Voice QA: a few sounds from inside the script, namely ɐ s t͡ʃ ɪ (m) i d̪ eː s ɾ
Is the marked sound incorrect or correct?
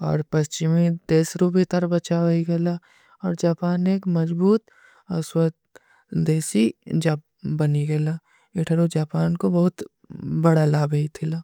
correct